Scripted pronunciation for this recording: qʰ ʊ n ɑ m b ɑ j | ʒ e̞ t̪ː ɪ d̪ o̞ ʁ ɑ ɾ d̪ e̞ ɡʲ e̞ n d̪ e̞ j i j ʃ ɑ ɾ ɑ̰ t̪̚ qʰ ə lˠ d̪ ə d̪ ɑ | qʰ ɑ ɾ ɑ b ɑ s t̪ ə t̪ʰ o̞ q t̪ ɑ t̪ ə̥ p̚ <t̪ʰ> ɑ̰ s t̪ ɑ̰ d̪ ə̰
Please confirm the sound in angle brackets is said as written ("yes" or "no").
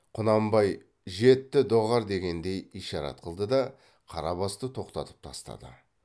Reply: yes